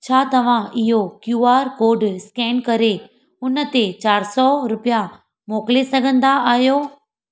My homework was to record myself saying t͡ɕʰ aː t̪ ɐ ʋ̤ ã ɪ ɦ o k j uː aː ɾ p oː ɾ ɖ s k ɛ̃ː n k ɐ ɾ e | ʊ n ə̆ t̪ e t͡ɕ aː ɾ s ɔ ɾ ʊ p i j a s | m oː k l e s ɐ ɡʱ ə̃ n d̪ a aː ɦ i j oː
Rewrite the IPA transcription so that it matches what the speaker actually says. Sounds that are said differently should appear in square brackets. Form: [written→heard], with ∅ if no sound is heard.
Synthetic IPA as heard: t͡ɕʰ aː t̪ ɐ ʋ̤ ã ɪ ɦ o k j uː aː ɾ [p→k] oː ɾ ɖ s k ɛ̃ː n k ɐ ɾ e | ʊ n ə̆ t̪ e t͡ɕ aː ɾ s ɔ ɾ ʊ p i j a [s→∅] | m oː k l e s ɐ ɡʱ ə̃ n d̪ a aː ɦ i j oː